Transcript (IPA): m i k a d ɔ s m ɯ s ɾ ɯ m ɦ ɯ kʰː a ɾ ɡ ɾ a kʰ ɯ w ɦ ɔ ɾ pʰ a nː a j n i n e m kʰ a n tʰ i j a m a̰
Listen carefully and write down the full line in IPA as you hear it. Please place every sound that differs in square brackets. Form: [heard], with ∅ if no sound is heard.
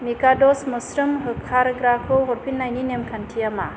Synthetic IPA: m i k a d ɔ s m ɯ s ɾ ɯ m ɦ ɯ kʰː a ɾ ɡ ɾ a kʰ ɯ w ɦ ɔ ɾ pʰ [i] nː a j n i n e m kʰ a n tʰ i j a m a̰